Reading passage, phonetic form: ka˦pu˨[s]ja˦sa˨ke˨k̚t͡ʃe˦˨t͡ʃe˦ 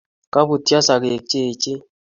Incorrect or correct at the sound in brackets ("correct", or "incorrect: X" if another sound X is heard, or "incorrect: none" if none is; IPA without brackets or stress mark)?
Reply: incorrect: t